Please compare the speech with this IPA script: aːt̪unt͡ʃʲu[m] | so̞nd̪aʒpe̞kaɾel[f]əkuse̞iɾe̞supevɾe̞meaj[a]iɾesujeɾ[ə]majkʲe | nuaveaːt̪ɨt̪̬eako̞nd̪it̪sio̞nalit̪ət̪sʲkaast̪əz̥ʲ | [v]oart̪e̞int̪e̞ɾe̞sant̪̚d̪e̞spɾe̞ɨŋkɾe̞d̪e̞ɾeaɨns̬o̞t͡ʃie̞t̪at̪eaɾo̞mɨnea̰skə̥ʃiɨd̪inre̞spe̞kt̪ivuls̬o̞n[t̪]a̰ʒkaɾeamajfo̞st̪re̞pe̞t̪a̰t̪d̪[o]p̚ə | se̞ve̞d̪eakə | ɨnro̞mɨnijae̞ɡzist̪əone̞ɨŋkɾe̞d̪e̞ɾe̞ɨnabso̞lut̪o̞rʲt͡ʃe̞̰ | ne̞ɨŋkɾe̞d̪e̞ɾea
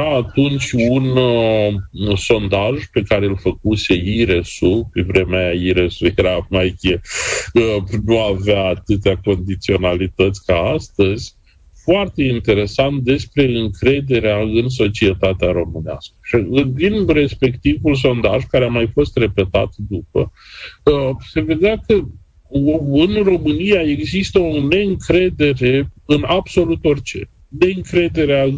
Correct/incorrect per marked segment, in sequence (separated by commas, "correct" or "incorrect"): incorrect, correct, correct, incorrect, incorrect, incorrect, incorrect